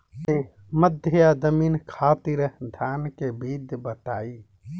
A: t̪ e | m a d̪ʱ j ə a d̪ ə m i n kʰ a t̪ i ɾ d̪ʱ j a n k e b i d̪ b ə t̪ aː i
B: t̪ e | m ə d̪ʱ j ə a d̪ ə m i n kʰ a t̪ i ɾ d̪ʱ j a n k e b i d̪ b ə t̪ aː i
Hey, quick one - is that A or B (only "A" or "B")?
B